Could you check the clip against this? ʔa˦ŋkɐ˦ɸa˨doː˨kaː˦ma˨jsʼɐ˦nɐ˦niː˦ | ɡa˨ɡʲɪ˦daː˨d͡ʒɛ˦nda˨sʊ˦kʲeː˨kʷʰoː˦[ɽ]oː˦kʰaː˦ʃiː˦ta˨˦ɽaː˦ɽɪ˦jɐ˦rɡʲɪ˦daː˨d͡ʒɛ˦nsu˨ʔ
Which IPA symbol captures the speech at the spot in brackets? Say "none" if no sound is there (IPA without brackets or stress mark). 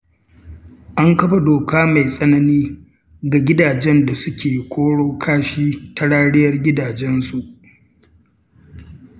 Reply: ɽ